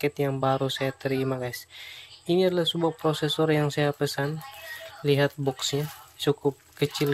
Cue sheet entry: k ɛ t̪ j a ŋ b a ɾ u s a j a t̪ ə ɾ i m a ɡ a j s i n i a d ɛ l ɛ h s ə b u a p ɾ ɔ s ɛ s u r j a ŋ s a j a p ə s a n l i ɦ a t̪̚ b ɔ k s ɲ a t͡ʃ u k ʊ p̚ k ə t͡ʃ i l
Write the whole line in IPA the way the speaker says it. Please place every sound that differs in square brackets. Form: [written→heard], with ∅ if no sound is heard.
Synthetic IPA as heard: k ɛ t̪ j a ŋ b a ɾ u s a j a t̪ ə ɾ i m a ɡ a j s i n i a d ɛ l [ɛ→a] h s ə b u a p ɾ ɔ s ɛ s [u→ɔ] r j a ŋ s a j a p ə s a n l i ɦ a t̪̚ b ɔ k s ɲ a t͡ʃ u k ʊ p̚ k ə t͡ʃ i l

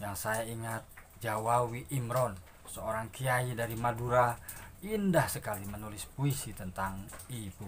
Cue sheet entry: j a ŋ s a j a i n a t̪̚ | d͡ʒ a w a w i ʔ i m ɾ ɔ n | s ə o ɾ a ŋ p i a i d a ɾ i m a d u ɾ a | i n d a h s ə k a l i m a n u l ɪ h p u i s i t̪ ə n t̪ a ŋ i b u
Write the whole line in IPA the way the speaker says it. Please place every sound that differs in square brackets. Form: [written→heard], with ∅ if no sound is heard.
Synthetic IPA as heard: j a ŋ s a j a i [n→ŋ] a t̪̚ | d͡ʒ a w a w i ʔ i m ɾ ɔ n | s ə o ɾ a ŋ [p→k] i a i d a ɾ i m a d u ɾ a | i n d a h s ə k a l i m [a→ə] n u l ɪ [h→s] p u i s i t̪ ə n t̪ a ŋ i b u

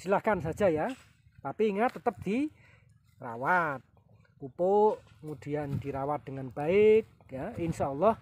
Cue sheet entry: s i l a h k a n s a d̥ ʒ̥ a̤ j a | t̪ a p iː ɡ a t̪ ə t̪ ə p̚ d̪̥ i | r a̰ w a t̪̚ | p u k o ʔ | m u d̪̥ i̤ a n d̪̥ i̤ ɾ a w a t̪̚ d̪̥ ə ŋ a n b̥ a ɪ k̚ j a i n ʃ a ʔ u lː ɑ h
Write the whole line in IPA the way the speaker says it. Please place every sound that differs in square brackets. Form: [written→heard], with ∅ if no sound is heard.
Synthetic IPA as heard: s i l a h k a n s a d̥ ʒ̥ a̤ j a | t̪ a p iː [ɡ→ŋ] a t̪ ə t̪ ə p̚ d̪̥ i | r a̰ w a t̪̚ | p u [k→p] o ʔ | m u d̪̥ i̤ a n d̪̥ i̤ ɾ a w a t̪̚ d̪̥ ə ŋ a n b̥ a ɪ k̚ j a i n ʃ a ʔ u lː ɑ h

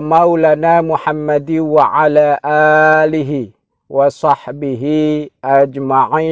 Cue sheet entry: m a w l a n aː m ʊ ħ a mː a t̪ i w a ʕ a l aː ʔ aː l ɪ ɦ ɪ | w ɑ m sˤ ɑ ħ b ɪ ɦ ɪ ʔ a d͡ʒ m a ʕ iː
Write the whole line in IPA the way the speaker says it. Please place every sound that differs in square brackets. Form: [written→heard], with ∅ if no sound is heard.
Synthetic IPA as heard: m a w l a n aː m ʊ ħ a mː a [t̪→d̪] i w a ʕ a l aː ʔ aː l ɪ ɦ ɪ | w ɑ [m→∅] sˤ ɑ ħ b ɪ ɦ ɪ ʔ a d͡ʒ m a ʕ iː

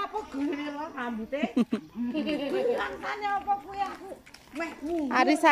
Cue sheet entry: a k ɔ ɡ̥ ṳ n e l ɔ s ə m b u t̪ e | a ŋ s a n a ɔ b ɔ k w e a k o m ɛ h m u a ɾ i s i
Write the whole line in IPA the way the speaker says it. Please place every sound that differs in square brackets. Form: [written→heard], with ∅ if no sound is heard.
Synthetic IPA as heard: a [k→p] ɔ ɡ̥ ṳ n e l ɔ s [ə→a] m b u t̪ e | a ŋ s a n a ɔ [b→p] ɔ k [w→u] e a k [o→u] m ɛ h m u a ɾ i s [i→a]

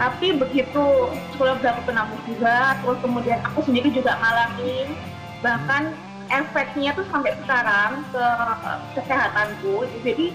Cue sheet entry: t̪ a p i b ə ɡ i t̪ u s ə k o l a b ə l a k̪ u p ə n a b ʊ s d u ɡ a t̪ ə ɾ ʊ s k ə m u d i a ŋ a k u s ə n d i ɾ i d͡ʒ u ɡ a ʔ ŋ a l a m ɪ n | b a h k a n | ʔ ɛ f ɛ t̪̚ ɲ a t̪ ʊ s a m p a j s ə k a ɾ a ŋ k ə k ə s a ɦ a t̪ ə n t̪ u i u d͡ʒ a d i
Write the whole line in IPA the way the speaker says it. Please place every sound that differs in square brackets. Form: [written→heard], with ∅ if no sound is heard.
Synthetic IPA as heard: t̪ a p i b ə ɡ i t̪ u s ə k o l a b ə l a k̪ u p ə n a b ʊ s [d→d͡ʒ] u ɡ a t̪ ə ɾ ʊ s k ə m u d i a [ŋ→n] a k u s ə n d i ɾ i d͡ʒ u ɡ a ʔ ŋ a l a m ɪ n | b a h k a n | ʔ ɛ f ɛ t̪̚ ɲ a t̪ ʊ s a m p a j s ə k a ɾ a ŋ k ə k ə s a ɦ a t̪ [ə→a] n t̪ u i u d͡ʒ a d i

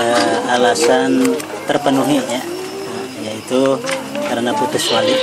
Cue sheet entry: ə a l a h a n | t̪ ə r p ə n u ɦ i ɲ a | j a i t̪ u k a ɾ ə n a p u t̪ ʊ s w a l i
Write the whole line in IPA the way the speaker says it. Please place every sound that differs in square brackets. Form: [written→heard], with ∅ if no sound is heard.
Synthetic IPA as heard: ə a l a [h→s] a n | t̪ ə r p ə n u ɦ i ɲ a | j a i t̪ u k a ɾ ə n a p u t̪ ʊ s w a l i

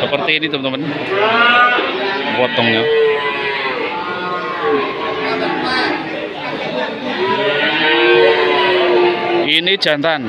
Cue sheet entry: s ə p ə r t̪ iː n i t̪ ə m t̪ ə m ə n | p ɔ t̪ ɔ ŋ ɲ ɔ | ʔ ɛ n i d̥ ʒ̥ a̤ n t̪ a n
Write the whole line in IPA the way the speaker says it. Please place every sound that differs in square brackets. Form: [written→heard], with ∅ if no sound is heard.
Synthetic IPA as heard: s ə p ə r t̪ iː n i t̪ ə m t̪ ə m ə n | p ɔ t̪ ɔ ŋ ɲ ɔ | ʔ [ɛ→i] n i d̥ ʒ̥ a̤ n t̪ a n

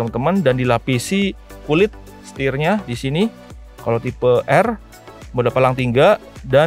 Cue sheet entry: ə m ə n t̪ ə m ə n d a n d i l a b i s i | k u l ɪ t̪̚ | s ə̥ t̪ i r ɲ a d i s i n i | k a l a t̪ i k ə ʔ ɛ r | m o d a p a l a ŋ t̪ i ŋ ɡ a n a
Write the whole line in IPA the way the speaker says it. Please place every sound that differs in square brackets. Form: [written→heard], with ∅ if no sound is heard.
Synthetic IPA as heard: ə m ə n t̪ ə m ə n d a n d i l a [b→p] i s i | k u l ɪ t̪̚ | s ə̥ t̪ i r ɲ a d i s i n i | k a l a t̪ i [k→p] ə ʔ ɛ r | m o d a p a l a ŋ t̪ i ŋ ɡ a [n→d] a

